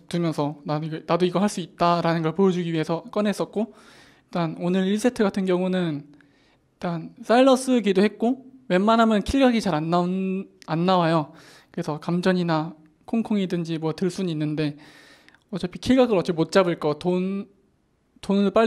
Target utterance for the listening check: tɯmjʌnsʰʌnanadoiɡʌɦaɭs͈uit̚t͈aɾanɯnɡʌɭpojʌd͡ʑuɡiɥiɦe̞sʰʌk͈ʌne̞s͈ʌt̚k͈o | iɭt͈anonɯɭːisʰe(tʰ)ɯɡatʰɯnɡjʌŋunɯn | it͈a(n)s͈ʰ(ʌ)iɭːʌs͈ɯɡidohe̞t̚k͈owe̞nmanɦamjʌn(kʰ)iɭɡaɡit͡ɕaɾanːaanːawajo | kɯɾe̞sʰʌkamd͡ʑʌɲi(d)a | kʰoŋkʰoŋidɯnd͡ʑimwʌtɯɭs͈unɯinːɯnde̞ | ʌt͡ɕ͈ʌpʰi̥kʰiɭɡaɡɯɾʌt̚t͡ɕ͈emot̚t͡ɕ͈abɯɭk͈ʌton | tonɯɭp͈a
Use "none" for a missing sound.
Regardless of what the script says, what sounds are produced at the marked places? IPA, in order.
tʰ, n, a, kʰ, n

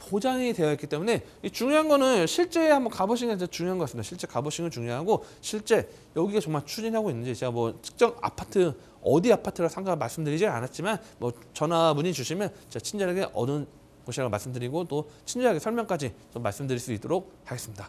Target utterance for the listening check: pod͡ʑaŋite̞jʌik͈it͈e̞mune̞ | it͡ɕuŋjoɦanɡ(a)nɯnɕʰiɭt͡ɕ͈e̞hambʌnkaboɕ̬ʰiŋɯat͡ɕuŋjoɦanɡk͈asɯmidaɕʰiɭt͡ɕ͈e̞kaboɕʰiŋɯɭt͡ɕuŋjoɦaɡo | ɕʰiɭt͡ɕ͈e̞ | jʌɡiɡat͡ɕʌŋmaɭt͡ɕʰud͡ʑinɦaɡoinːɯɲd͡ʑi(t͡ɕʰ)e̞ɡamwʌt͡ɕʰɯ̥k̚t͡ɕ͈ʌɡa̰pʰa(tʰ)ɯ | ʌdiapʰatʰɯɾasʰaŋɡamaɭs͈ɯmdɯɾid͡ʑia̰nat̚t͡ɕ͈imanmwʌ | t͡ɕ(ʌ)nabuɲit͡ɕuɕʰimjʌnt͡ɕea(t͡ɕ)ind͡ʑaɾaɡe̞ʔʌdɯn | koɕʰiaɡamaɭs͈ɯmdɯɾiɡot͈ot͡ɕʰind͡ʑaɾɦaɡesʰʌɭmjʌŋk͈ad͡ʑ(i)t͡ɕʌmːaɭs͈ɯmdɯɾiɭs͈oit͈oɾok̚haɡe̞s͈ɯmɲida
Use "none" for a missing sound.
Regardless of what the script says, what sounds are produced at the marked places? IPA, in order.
ʌ, t͡ɕ, tʰ, ʌ, t͡ɕʰ, i

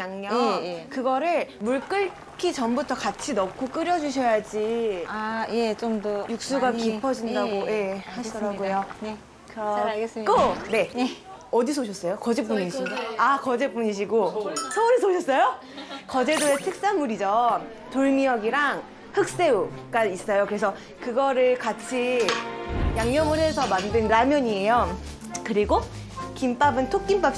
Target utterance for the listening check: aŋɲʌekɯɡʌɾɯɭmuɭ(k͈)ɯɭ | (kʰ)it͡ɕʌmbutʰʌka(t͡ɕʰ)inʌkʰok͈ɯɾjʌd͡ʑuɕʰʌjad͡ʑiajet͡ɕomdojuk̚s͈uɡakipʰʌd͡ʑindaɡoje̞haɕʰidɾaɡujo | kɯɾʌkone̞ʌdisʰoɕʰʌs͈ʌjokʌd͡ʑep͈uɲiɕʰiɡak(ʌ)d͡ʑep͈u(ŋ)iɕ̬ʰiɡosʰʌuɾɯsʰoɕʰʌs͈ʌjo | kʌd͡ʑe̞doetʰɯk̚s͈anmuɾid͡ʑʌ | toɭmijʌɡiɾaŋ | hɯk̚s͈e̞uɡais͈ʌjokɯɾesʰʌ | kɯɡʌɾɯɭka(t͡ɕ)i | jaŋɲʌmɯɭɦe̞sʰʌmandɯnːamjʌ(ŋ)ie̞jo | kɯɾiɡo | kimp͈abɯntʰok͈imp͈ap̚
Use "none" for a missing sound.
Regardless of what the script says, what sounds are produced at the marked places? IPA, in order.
k͈, kʰ, t͡ɕʰ, ʌ, ɲ, t͡ɕʰ, ɲ

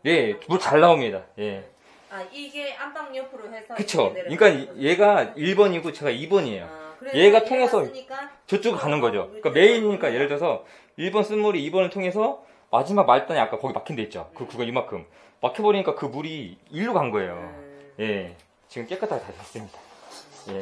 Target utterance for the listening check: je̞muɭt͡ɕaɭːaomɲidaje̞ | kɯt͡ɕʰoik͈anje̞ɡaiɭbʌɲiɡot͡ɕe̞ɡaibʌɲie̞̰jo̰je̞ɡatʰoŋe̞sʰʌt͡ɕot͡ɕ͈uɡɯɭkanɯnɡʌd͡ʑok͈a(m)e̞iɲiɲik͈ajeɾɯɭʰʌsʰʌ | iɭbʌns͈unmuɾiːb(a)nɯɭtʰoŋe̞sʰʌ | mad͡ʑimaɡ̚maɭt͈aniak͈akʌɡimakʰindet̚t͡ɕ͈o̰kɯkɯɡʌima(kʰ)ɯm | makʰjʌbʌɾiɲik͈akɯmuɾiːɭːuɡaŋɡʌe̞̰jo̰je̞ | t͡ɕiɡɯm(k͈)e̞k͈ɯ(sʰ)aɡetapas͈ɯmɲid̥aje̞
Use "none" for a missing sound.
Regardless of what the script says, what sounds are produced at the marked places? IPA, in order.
m, ʌ, kʰ, k͈, tʰ

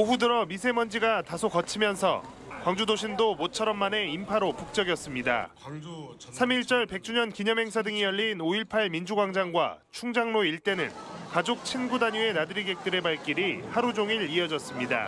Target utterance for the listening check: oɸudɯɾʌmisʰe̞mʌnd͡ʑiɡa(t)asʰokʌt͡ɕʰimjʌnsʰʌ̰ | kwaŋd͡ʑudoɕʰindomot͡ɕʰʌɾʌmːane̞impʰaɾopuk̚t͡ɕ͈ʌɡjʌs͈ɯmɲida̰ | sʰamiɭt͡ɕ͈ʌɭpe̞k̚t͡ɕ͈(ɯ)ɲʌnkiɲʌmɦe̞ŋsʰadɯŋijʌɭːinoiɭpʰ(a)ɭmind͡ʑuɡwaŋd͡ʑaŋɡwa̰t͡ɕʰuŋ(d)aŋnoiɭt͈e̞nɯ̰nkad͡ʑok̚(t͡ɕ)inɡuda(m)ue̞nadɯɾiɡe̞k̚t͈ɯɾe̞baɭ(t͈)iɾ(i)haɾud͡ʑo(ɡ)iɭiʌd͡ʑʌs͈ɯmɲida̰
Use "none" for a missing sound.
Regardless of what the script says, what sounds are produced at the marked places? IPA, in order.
t, u, a, d͡ʑ, t͡ɕʰ, ɲ, k͈, i, ŋ

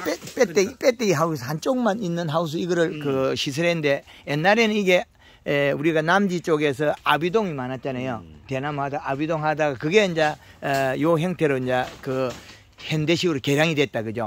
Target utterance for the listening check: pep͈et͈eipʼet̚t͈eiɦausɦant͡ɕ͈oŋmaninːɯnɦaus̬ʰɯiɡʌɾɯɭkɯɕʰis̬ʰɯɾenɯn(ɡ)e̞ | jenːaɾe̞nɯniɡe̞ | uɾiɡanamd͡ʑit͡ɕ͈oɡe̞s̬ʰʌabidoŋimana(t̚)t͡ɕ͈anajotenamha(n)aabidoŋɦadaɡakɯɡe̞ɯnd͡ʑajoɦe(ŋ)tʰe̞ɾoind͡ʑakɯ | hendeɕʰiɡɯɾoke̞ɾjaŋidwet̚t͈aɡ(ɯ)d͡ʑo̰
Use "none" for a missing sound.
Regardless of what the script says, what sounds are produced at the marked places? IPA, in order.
d, t̚, d, ŋ, ɯ

